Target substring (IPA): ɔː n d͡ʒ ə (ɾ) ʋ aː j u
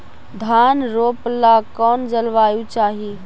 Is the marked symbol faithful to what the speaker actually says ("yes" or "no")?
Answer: no